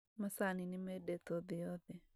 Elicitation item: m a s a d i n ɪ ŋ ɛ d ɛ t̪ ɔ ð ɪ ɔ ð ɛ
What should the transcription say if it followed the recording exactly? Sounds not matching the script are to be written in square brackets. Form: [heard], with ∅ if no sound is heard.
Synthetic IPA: m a s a [n] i n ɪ [m] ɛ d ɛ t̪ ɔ ð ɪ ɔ ð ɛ